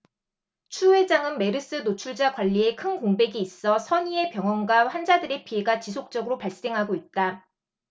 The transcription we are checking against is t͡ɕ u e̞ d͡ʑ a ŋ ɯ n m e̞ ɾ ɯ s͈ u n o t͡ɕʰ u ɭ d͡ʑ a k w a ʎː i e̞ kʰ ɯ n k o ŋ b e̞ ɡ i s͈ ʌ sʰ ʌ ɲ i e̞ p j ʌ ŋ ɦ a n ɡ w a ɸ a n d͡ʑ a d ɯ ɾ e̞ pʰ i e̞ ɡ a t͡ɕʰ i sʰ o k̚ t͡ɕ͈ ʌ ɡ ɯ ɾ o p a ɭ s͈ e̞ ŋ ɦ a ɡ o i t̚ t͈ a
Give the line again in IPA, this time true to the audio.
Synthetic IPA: t͡ɕʰ u e̞ d͡ʑ a ŋ ɯ n m e̞ ɾ ɯ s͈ ɯ n o t͡ɕʰ u ɭ d͡ʑ a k w a ʎː i e̞ kʰ ɯ n k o ŋ b e̞ ɡ iː s͈ ʌ sʰ ʌ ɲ i e̞ p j ʌ ŋ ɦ ʌ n ɡ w a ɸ a n d͡ʑ a d ɯ ɾ e̞ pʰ i e̞ ɡ a t͡ɕ i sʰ o k̚ t͡ɕ͈ ʌ ɡ ɯ ɾ o p a ɭ s͈ e̞ ŋ ɦ a ɡ o i t̚ t͈ a

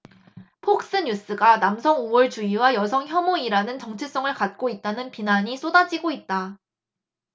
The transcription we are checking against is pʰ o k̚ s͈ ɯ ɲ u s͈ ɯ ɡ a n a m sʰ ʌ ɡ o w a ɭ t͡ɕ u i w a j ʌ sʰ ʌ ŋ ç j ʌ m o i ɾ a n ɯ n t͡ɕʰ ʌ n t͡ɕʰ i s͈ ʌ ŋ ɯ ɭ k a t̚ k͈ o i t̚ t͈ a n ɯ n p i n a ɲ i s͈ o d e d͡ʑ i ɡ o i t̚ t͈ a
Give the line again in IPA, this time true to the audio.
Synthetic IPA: pʰ o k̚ s͈ ɯ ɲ u s͈ ɯ ɡ a n a m sʰ ʌ ŋ o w ʌ ɭ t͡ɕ u i w a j ʌ sʰ ʌ ŋ ç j ʌ m o i ɾ a n ɯ n t͡ɕ ʌ ŋ t͡ɕʰ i s͈ ʌ ŋ ɯ ɭ k a t̚ k͈ o i t̚ t͈ a n ɯ n p i n a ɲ i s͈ o d a d͡ʑ i ɡ o i t̚ t͈ a

